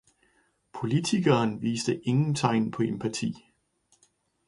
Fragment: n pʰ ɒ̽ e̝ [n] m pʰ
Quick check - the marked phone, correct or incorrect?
incorrect